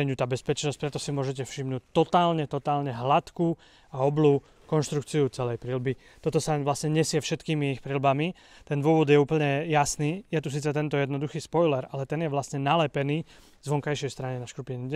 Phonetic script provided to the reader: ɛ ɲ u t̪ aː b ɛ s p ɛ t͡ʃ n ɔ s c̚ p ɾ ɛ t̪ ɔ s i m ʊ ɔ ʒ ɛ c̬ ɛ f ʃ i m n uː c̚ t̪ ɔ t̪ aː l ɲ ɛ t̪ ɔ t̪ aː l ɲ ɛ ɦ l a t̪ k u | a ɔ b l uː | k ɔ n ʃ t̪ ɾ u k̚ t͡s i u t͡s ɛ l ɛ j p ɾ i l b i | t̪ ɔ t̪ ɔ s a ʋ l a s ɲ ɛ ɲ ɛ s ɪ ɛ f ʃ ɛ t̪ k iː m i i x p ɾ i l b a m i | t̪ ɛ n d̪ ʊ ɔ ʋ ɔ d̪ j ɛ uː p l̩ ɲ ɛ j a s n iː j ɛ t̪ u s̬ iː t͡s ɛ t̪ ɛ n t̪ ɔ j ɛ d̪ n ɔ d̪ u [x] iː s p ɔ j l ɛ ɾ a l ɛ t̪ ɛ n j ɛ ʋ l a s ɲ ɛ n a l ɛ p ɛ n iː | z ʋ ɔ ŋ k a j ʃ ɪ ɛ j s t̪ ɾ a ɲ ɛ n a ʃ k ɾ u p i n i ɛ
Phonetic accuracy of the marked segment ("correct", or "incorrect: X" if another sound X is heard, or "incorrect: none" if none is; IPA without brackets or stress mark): correct